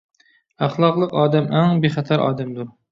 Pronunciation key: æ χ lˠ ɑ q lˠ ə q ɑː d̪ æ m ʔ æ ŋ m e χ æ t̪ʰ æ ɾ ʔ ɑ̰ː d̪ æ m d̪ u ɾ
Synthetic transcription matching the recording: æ χ lˠ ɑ q lˠ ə q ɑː d̪ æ m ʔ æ ŋ b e χ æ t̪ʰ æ ɾ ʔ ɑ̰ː d̪ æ m d̪ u ɾ